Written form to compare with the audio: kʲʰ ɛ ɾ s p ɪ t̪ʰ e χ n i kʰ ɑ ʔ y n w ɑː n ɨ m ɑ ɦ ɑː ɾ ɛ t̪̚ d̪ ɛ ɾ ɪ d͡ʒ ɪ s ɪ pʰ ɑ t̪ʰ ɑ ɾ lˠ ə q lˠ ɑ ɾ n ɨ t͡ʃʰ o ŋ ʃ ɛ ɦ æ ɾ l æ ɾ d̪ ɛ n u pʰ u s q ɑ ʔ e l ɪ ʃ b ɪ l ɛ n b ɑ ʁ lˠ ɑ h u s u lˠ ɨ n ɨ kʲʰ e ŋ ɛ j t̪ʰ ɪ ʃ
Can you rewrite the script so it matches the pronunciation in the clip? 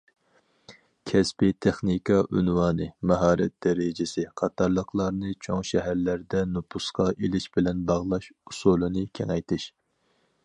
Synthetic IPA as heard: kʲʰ ɛ s p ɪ t̪ʰ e χ n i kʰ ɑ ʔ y n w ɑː n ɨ m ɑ ɦ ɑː ɾ ɛ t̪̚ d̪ ɛ ɾ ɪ d͡ʒ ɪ s ɪ qʰ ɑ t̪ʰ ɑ ɾ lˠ ə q lˠ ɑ ɾ n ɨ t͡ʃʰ o ŋ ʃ ɛ ɦ æ ɾ l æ ɾ d̪ ɛ n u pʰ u s q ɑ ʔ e l ɪ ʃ b ɪ l ɛ n b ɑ ʁ lˠ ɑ ʃ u s u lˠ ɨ n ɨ kʲʰ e ŋ ɛ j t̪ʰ ɪ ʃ